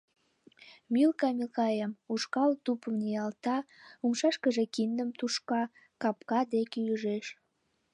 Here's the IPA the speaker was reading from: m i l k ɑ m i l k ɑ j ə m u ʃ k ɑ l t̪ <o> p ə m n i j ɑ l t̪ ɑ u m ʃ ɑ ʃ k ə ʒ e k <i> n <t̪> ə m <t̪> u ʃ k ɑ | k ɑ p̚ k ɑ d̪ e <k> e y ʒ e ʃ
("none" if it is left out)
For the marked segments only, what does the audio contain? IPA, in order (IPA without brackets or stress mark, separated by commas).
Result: u, i, d̪, t̪, k